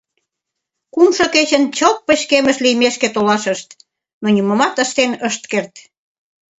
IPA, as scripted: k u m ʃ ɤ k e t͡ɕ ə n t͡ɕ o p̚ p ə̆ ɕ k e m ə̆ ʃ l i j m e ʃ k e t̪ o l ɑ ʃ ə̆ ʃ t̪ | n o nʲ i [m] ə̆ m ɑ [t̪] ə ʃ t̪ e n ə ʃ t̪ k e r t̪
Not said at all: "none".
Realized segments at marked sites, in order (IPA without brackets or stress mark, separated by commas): m, t̪